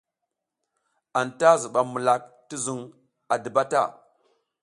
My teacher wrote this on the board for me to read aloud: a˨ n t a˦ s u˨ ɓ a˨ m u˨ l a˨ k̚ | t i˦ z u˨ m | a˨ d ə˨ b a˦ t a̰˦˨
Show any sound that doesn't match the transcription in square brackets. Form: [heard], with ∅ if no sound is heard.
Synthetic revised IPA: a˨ n t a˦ [z] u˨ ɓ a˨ m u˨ l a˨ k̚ | t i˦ z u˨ [ŋ] | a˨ d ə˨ b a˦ t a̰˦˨